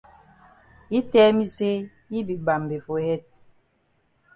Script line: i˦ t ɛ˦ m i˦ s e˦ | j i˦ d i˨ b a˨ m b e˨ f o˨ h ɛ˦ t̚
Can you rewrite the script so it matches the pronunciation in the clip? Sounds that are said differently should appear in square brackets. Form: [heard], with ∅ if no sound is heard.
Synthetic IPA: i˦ t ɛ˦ m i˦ s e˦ | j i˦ [b] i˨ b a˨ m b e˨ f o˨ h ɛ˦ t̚